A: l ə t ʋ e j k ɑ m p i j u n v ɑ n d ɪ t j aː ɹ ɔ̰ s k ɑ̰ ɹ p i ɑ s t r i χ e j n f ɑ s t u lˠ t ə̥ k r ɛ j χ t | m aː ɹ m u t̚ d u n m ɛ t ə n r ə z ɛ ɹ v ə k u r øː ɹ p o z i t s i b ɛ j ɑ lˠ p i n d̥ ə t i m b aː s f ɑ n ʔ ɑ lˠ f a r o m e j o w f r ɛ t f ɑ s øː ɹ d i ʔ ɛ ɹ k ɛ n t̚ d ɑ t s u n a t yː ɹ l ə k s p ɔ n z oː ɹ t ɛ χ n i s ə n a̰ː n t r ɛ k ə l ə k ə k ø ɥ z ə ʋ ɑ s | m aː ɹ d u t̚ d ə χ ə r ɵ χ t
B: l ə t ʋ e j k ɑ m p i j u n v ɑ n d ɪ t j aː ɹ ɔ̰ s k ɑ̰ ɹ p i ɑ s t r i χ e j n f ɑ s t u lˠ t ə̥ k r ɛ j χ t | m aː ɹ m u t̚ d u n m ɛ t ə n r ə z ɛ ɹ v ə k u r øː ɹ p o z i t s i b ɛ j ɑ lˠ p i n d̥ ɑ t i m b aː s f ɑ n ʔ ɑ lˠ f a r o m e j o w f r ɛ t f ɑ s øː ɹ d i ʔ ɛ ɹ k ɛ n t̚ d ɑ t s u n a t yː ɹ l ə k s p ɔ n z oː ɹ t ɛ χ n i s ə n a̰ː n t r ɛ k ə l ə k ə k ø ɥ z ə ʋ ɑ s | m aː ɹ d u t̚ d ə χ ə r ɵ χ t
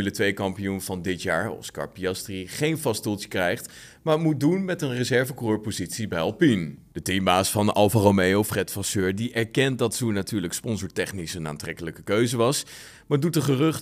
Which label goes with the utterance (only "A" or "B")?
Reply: A